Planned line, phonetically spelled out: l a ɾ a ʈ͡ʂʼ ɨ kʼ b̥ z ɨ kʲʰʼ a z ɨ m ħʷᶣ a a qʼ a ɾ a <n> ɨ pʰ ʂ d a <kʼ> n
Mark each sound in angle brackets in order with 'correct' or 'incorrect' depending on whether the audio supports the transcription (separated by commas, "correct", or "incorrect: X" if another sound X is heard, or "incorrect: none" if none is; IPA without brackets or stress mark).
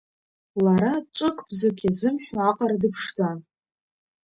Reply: incorrect: d, incorrect: none